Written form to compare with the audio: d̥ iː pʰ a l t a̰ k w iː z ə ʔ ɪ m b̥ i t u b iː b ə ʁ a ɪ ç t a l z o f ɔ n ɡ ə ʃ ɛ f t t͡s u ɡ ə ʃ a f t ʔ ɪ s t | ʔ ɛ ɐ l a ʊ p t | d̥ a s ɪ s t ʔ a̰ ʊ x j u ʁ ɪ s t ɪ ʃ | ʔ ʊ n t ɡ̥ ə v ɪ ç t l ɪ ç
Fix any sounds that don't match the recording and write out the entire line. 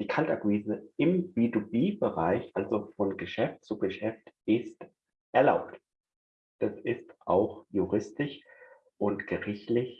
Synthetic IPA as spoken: d̥ iː kʰ a l t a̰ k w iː z ə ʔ ɪ m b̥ i t u b iː b ə ʁ a ɪ ç ʔ a l z o f ɔ n ɡ ə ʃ ɛ f t t͡s u ɡ ə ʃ ɛ f t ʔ ɪ s t | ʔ ɛ ɐ l a ʊ p t | d̥ a s ɪ s t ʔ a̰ ʊ x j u ʁ ɪ s t ɪ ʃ | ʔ ʊ n t ɡ̥ ə ʁ ɪ ç t l ɪ ç